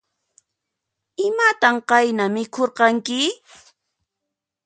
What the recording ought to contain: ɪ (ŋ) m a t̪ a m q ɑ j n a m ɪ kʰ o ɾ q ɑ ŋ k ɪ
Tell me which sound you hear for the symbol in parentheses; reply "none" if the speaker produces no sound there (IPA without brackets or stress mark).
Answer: none